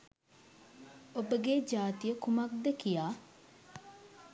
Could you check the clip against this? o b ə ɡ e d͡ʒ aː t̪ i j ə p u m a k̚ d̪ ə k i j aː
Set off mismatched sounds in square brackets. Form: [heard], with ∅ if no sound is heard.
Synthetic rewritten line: o b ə ɡ e d͡ʒ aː t̪ i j ə [k] u m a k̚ d̪ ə k i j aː